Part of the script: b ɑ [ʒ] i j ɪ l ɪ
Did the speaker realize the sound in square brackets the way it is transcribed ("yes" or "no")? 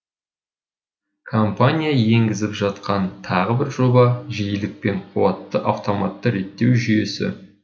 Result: yes